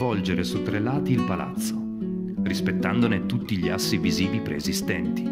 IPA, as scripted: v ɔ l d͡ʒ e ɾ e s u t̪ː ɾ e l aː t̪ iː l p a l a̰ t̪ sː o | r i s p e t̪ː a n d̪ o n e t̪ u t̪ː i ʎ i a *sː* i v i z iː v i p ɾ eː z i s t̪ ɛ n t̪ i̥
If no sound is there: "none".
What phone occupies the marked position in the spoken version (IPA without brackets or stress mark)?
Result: sː